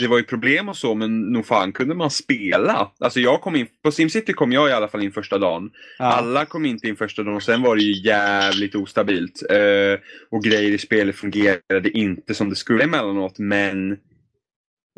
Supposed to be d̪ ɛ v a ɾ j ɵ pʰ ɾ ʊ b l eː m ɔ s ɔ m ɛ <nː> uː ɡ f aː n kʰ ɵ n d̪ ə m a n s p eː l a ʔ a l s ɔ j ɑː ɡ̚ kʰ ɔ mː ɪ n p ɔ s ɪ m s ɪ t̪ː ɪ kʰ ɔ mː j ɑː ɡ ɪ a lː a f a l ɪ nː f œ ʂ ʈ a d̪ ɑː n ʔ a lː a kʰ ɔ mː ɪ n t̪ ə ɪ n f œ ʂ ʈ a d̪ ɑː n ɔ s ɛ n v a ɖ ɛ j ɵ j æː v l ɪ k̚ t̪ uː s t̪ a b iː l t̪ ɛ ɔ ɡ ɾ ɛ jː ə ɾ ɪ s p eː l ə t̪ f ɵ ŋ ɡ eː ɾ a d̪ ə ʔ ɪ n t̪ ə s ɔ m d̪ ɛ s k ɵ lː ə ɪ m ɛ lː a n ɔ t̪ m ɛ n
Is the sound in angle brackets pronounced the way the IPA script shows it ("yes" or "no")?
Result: yes